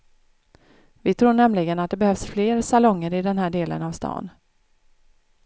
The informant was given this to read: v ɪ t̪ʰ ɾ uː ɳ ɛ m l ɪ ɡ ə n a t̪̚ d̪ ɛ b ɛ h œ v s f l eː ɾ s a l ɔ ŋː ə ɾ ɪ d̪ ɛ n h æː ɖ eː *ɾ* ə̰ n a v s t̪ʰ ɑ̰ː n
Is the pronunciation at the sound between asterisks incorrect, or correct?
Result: incorrect